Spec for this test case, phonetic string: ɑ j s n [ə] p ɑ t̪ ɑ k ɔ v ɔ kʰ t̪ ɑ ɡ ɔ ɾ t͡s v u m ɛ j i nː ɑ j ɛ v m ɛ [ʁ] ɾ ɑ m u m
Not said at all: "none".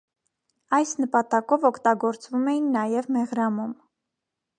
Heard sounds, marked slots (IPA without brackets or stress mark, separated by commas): ə, ʁ